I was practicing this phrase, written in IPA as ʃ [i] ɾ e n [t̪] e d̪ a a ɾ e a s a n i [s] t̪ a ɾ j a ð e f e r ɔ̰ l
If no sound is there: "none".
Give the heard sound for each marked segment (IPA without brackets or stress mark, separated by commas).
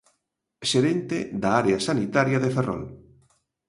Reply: e, t̪, none